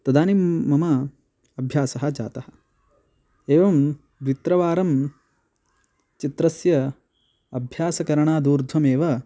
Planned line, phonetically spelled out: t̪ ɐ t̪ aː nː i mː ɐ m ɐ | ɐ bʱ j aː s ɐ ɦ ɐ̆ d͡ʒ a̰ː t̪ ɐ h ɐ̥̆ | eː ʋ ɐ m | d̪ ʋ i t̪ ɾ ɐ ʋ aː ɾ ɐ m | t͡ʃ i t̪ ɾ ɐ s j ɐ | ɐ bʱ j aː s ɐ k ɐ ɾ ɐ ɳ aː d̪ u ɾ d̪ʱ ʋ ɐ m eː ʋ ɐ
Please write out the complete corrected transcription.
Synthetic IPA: t̪ ɐ d̪ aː n i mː ɐ m ɐ | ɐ bʱ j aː s ɐ ɦ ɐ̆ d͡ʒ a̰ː t̪ ɐ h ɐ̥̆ | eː ʋ ɐ m | d̪ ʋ i t̪ ɾ ɐ ʋ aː ɾ ɐ m | t͡ʃ i t̪ ɾ ɐ s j ɐ | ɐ bʱ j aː s ɐ k ɐ ɾ ɐ ɳ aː d̪ uː ɾ d̪ʱ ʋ ɐ m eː ʋ ɐ